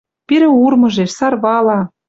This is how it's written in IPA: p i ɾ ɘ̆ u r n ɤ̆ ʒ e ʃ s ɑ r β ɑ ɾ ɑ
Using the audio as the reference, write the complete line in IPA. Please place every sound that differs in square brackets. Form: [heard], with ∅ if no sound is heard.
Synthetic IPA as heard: p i ɾ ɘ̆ u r [m] ɤ̆ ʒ e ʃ s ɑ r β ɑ [l] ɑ